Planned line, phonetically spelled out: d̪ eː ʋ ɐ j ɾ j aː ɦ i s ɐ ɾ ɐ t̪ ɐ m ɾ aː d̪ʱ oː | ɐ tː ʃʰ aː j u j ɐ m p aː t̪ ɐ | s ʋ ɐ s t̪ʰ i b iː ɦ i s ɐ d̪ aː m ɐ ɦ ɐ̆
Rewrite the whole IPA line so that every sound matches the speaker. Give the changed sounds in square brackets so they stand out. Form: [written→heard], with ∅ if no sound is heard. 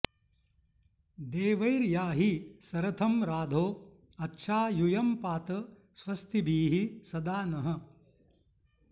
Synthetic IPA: d̪ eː ʋ ɐ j ɾ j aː ɦ i s ɐ ɾ ɐ [t̪→t̪ʰ] ɐ m ɾ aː d̪ʱ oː | ɐ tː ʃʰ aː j u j ɐ m p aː t̪ ɐ | s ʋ ɐ s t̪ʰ i b iː ɦ i s ɐ d̪ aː [m→n] ɐ ɦ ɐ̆